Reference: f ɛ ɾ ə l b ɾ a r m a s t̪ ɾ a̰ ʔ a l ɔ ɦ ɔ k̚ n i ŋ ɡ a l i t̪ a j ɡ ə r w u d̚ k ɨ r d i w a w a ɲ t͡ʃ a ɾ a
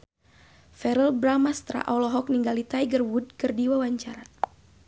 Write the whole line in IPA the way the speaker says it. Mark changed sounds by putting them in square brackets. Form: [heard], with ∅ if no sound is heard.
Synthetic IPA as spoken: f ɛ ɾ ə l b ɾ a [∅] m a s t̪ ɾ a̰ ʔ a l ɔ ɦ ɔ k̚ n i ŋ ɡ a l i t̪ a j ɡ ə r w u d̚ k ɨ r d i w a w a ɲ t͡ʃ a ɾ a